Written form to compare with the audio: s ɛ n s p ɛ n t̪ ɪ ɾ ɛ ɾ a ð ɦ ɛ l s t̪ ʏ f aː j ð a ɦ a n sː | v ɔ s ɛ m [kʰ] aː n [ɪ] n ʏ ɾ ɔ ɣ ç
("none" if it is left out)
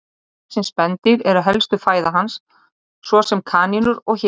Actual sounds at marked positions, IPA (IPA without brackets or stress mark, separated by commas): kʰ, i